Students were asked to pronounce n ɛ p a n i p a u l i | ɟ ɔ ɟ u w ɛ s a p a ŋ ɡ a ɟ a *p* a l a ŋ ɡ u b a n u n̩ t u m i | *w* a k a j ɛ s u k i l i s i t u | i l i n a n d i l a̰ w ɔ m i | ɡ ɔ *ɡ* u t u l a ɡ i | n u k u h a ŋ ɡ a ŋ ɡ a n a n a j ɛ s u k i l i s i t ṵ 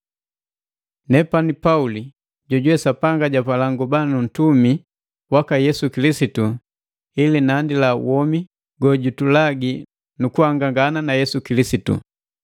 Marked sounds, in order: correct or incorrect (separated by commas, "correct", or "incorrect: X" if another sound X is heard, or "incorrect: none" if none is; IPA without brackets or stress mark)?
correct, correct, incorrect: ɟ